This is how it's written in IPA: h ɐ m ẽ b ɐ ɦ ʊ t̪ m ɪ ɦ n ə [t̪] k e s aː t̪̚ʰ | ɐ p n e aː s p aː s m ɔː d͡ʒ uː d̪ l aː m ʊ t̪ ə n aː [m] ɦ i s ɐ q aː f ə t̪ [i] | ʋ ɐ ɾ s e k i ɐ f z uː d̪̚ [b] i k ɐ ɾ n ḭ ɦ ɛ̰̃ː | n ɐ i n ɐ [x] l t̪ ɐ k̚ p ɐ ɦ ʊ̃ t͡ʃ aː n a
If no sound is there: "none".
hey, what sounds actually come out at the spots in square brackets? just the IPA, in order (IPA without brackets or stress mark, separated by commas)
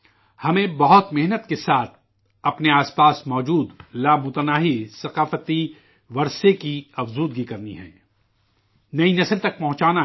t̪, none, i, ɡ, s